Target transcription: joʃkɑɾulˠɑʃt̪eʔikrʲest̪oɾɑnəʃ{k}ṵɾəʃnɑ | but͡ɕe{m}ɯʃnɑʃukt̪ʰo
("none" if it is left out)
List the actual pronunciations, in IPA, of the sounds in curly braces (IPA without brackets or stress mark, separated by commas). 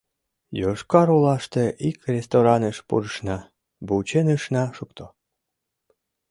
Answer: p, n